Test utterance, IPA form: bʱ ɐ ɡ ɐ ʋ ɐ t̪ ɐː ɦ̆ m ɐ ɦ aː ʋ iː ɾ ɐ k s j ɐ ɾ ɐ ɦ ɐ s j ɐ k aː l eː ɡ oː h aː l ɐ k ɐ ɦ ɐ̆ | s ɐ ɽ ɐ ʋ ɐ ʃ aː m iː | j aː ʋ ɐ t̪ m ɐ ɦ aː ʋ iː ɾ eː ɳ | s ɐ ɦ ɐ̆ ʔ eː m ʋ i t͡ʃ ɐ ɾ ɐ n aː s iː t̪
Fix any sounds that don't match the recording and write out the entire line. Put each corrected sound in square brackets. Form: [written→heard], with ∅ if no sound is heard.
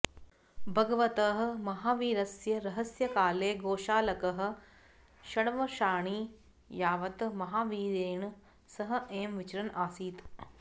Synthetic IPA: bʱ ɐ ɡ ɐ ʋ ɐ t̪ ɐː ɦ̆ m ɐ ɦ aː ʋ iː ɾ ɐ [k→∅] s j ɐ ɾ ɐ ɦ ɐ s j ɐ k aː l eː ɡ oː [h→ʃ] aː l ɐ k ɐ ɦ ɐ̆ | [s→ʃ] ɐ ɽ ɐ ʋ ɐ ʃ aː [m→ɳ] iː | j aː ʋ ɐ t̪ m ɐ ɦ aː ʋ iː ɾ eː ɳ | s ɐ ɦ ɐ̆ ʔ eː m ʋ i t͡ʃ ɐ ɾ ɐ n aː s iː t̪